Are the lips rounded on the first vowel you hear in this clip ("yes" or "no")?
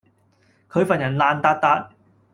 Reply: yes